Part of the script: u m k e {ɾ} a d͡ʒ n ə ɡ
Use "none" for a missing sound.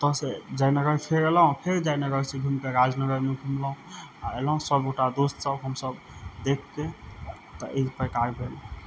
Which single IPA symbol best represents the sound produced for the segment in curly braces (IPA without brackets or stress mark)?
ɾ